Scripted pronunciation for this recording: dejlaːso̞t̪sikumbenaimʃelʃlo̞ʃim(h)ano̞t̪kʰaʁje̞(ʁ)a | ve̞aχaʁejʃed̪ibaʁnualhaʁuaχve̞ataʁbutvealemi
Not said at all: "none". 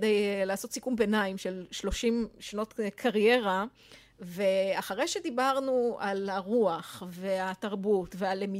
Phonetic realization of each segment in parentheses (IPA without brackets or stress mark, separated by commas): ʃ, ʁ